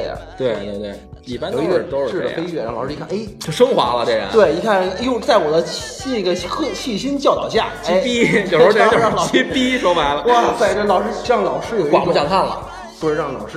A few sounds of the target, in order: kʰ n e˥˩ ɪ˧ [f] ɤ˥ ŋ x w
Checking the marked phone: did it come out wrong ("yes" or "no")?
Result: yes